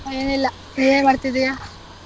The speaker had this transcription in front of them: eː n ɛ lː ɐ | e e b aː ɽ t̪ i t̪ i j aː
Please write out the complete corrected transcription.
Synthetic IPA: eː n i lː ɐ | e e m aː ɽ t̪ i d̪ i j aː